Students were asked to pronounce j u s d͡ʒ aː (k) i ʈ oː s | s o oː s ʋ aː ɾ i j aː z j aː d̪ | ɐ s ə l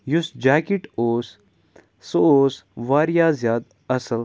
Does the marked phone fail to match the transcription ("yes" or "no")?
no